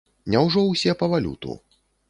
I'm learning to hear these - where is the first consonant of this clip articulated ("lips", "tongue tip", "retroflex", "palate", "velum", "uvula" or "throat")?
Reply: tongue tip